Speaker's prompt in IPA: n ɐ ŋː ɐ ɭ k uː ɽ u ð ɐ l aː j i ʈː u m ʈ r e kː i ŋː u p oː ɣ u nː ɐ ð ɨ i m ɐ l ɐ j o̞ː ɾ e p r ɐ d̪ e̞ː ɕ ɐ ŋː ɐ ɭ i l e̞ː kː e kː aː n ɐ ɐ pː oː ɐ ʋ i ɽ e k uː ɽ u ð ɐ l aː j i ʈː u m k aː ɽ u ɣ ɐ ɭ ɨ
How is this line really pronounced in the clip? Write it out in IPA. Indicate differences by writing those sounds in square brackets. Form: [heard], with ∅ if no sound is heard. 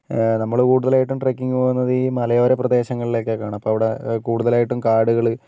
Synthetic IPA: n ɐ [mː] ɐ ɭ k uː ɽ u ð ɐ l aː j i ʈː u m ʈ r e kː i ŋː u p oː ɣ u nː ɐ ð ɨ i m ɐ l ɐ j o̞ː ɾ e p r ɐ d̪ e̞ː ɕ ɐ ŋː ɐ ɭ i l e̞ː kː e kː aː [ɳ] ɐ ɐ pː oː ɐ ʋ i ɽ e k uː ɽ u ð ɐ l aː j i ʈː u m k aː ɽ u ɣ ɐ ɭ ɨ